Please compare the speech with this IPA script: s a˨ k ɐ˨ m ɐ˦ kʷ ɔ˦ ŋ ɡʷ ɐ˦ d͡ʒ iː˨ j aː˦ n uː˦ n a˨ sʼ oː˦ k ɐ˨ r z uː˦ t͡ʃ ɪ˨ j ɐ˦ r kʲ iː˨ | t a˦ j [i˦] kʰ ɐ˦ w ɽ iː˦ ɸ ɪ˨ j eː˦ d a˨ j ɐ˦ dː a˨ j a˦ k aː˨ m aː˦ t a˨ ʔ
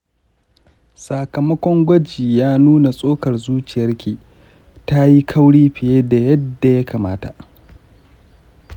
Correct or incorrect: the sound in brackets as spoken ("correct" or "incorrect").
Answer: correct